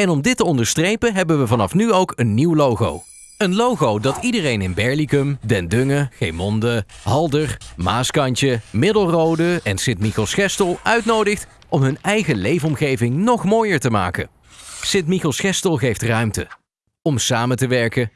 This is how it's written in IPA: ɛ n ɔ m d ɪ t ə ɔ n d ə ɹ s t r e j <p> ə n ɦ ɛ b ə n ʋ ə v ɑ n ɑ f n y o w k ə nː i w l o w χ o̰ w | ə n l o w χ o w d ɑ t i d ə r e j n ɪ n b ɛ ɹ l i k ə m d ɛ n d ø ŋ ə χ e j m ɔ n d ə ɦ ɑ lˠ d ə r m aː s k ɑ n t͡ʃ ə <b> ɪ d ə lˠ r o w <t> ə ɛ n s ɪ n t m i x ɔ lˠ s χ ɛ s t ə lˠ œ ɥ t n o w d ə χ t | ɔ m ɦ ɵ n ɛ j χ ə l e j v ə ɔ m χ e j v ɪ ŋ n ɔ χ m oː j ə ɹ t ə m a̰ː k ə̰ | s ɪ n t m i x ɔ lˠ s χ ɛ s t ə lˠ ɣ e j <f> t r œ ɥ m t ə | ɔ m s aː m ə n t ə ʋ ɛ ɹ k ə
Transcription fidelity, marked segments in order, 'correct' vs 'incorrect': correct, incorrect, incorrect, correct

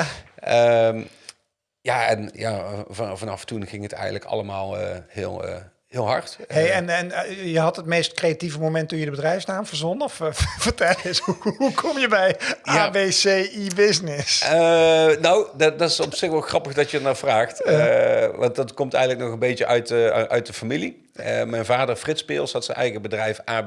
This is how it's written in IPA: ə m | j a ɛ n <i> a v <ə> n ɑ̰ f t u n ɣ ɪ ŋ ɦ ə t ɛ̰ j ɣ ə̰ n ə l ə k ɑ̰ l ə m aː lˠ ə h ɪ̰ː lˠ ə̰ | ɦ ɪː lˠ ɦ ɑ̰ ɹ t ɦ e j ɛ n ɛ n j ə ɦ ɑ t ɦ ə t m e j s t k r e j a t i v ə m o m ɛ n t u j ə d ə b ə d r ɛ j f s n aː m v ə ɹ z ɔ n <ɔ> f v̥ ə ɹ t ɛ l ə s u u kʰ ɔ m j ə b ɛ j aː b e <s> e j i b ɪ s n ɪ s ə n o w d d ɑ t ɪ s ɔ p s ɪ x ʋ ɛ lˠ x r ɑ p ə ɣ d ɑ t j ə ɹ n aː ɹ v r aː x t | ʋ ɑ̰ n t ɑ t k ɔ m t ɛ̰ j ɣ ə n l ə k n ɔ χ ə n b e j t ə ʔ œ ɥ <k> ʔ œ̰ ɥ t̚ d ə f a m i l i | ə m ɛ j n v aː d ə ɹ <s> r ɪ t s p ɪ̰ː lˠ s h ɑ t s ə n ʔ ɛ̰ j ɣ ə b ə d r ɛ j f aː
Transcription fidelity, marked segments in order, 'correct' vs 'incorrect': incorrect, incorrect, correct, correct, incorrect, incorrect

